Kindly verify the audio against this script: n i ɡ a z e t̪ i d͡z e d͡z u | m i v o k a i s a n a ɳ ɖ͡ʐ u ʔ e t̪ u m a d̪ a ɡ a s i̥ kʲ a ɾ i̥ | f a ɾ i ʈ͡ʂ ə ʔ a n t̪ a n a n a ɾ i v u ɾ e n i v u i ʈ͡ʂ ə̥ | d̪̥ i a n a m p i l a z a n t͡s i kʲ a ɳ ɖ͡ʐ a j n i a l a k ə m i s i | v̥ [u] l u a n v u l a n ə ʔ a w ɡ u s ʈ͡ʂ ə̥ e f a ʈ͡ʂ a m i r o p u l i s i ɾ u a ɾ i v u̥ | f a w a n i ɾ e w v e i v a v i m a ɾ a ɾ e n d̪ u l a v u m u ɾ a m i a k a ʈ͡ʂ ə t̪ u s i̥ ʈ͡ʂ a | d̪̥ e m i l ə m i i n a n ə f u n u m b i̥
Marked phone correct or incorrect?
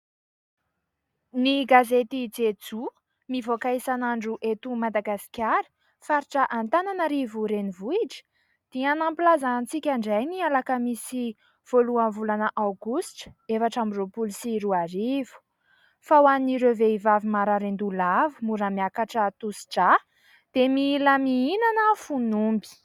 incorrect